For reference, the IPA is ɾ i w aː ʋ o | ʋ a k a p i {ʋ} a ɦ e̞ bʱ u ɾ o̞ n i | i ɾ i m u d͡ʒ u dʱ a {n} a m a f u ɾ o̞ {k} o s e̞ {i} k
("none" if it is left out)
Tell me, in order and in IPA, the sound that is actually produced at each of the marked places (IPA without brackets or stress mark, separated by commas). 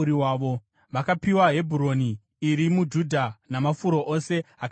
w, n, ʔ, a